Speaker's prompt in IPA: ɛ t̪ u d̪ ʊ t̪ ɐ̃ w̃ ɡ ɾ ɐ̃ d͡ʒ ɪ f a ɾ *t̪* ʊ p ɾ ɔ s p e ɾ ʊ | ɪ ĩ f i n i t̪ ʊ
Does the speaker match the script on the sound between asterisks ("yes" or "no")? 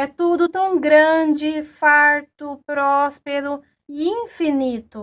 yes